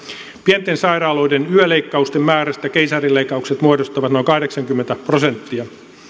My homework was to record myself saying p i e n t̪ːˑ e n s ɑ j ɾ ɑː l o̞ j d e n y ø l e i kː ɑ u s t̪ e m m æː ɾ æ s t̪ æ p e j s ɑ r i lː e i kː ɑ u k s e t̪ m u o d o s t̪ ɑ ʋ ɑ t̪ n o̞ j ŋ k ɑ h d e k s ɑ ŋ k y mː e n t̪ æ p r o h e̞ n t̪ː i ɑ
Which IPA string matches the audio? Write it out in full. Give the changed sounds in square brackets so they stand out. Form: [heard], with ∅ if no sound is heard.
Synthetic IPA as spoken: p i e n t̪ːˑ e n s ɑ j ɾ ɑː l o̞ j d e n y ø l e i kː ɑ u s t̪ e m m æː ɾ æ s t̪ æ [k] e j s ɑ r i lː e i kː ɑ u k s e t̪ m u o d o s t̪ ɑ ʋ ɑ t̪ n o̞ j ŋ k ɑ h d e k s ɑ ŋ k y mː e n t̪ æ p r o [s] e̞ n t̪ː i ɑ